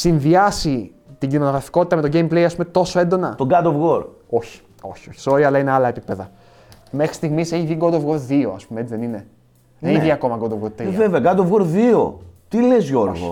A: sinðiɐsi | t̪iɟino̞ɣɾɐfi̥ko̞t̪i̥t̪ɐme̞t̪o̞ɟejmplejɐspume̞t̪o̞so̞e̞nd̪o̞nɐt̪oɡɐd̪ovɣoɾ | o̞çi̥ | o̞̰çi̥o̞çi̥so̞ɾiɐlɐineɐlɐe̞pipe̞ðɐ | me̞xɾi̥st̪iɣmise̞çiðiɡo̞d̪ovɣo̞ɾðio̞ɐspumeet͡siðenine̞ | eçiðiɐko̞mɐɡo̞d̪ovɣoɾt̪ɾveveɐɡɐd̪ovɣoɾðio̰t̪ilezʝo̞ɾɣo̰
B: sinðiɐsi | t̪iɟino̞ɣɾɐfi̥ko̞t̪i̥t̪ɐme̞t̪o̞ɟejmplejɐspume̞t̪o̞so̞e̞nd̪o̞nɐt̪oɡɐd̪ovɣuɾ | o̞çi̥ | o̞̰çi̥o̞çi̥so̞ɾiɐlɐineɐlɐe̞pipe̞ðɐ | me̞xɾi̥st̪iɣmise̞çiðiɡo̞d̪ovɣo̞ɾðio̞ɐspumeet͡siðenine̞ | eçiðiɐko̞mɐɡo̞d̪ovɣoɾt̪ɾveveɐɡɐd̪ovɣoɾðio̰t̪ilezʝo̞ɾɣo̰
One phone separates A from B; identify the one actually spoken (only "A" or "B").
A